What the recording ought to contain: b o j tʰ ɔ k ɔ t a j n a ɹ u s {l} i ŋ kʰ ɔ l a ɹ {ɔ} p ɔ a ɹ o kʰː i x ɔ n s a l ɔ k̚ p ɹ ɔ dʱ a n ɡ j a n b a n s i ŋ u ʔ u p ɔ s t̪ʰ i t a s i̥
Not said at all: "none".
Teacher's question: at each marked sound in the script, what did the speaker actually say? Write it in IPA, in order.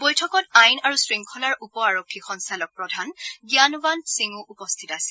ɹ, u

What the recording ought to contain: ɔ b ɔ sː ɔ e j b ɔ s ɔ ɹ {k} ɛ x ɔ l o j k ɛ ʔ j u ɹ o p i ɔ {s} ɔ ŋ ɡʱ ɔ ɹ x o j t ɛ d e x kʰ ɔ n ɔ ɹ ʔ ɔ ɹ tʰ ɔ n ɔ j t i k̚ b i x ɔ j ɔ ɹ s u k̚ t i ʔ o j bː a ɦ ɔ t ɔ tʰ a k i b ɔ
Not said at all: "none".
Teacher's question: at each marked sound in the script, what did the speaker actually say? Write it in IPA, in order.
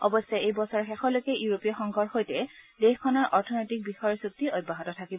x, x

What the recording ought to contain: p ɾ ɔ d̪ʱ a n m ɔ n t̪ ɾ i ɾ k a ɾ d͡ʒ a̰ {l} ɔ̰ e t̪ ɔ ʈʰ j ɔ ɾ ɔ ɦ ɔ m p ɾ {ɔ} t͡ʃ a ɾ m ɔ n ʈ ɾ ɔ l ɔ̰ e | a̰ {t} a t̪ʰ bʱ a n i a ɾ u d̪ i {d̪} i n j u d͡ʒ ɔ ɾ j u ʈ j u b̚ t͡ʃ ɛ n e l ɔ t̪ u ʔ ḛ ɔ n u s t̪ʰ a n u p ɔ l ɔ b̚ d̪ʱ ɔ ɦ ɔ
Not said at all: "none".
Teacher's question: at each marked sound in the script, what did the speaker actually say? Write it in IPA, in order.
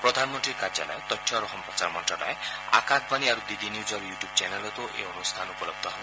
l, ɔ, k, d̪

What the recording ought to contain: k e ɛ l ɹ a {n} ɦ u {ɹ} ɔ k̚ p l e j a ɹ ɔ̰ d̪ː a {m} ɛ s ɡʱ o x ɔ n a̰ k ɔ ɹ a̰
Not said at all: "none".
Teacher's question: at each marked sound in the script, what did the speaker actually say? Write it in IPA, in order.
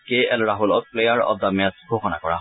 none, l, m

